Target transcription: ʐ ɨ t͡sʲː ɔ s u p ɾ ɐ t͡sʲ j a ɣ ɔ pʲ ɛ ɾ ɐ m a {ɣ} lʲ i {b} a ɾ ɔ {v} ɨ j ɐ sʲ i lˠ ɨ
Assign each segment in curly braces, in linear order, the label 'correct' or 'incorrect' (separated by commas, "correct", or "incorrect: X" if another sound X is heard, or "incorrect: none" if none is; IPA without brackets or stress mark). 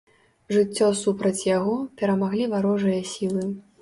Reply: correct, incorrect: v, incorrect: ʐ